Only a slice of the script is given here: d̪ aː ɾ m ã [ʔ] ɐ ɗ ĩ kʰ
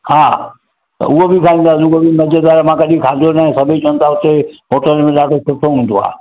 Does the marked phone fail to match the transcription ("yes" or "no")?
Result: yes